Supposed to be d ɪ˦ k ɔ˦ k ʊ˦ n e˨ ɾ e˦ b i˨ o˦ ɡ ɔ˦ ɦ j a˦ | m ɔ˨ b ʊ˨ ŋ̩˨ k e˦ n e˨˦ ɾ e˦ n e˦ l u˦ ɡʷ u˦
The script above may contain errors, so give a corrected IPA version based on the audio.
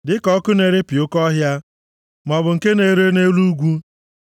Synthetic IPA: d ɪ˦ k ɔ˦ k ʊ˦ n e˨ ɾ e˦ p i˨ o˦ k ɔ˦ ɦ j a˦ | m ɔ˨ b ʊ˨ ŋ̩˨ k e˦ n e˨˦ ɾ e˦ n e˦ l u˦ ɡʷ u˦